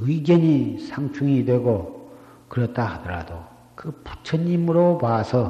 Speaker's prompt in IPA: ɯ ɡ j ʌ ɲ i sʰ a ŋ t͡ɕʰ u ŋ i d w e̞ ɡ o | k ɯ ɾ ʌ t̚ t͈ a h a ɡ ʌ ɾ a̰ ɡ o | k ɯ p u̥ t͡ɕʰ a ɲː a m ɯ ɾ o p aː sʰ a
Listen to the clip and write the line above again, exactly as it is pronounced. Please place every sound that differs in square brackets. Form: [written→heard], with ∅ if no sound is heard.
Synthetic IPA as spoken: ɯ ɡ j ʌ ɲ i sʰ a ŋ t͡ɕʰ u ŋ i d w e̞ ɡ o | k ɯ ɾ ʌ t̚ t͈ a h a [ɡ→d] ʌ ɾ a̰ [ɡ→d] o | k ɯ p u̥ t͡ɕʰ [a→ʌ] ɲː [a→i] m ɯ ɾ o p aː sʰ [a→ʌ]